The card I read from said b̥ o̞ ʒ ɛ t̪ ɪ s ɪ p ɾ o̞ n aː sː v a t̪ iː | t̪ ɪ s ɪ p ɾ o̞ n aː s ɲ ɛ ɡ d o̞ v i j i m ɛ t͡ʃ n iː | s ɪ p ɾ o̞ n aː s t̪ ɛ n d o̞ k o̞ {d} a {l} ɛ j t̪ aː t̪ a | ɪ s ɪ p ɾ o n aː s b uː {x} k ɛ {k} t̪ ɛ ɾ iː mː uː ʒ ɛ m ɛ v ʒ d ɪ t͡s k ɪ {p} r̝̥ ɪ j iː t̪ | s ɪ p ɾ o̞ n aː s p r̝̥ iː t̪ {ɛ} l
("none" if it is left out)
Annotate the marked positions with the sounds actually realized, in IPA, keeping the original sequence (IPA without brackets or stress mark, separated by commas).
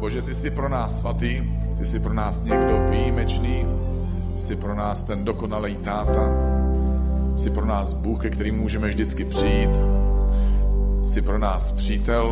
n, l, x, k, p, ɛ